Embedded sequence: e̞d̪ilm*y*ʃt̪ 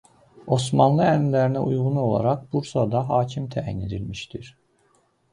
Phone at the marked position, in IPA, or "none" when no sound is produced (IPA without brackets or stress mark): i